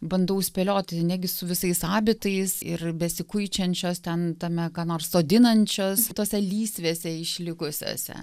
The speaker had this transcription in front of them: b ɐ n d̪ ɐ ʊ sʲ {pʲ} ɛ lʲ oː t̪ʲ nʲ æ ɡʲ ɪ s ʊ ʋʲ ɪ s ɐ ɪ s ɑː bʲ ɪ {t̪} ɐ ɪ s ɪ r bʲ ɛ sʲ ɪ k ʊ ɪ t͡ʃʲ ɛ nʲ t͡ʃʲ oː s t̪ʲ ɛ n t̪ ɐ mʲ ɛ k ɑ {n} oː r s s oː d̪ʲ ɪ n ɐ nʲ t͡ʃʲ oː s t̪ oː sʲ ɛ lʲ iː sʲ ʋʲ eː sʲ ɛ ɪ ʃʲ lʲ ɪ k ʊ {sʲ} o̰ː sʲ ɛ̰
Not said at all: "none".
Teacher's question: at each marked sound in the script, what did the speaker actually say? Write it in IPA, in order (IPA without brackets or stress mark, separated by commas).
pʲ, t̪, n, sʲ